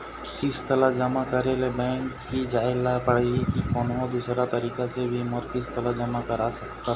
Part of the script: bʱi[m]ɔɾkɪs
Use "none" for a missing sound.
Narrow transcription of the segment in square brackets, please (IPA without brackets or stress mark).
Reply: m